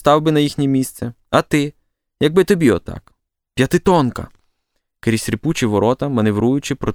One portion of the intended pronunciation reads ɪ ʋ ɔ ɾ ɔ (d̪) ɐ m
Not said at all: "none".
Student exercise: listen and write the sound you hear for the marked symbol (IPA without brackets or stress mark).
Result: t̪